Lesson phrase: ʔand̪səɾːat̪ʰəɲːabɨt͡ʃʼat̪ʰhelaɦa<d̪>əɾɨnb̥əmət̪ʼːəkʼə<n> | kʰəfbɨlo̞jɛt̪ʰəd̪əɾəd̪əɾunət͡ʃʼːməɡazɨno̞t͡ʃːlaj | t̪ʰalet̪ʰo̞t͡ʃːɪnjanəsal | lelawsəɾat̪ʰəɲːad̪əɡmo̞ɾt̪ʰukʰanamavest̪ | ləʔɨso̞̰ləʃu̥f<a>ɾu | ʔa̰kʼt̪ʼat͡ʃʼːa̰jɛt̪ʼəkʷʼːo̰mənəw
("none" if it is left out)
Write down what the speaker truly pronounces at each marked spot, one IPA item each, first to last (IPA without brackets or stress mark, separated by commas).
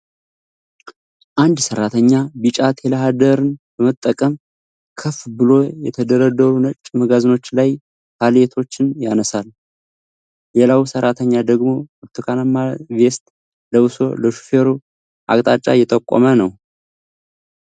d̪, m, e